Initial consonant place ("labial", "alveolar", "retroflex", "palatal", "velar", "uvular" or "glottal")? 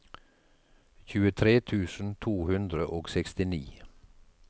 palatal